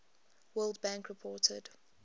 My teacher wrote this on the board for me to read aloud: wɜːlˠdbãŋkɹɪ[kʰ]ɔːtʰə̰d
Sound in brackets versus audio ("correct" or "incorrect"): incorrect